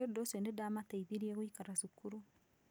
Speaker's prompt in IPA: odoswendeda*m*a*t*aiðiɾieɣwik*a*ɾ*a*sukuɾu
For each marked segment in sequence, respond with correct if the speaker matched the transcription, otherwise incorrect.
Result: correct, correct, correct, correct

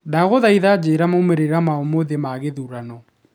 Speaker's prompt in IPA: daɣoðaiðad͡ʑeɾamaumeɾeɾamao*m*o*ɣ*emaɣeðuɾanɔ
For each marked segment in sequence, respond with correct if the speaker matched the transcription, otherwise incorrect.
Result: correct, incorrect

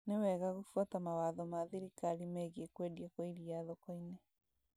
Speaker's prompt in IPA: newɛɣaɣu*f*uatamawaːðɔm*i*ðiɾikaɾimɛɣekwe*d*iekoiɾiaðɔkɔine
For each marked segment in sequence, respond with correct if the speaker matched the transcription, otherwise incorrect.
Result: correct, incorrect, correct

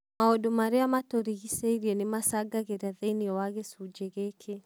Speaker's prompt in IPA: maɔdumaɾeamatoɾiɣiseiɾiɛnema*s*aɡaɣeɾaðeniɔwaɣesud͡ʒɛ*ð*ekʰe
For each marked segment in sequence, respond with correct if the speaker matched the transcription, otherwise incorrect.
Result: correct, incorrect

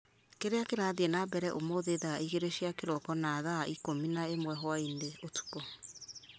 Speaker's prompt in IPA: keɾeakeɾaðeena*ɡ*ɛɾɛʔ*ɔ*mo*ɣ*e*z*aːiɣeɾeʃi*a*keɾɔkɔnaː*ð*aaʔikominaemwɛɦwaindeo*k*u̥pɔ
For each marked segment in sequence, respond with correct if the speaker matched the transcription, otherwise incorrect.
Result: incorrect, incorrect, incorrect, incorrect, correct, correct, incorrect

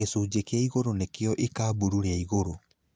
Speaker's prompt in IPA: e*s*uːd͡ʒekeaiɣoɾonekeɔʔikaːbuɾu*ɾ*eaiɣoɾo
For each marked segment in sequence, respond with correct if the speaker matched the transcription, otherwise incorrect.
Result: correct, correct

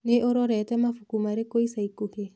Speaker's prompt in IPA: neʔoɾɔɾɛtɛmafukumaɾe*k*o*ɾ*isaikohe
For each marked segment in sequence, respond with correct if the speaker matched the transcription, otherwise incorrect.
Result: correct, incorrect

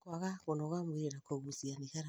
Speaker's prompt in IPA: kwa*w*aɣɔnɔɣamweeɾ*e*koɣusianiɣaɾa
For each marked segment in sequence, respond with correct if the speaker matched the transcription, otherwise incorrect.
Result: incorrect, incorrect

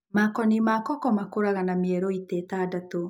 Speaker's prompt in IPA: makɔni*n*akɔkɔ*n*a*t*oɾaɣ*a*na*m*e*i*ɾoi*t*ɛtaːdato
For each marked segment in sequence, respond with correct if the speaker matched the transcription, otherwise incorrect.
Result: incorrect, incorrect, incorrect, correct, correct, incorrect, correct

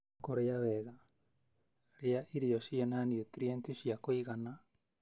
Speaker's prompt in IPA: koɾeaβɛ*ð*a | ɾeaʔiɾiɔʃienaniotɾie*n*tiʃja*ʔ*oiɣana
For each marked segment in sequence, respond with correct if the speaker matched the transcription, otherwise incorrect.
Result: incorrect, correct, incorrect

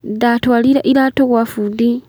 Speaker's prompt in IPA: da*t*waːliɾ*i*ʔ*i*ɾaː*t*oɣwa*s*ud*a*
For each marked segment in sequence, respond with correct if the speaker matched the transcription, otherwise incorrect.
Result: correct, incorrect, correct, correct, incorrect, incorrect

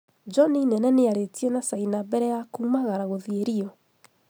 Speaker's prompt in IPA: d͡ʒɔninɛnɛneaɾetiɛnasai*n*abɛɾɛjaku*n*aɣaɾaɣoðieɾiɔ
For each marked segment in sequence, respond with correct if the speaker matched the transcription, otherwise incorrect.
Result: correct, incorrect

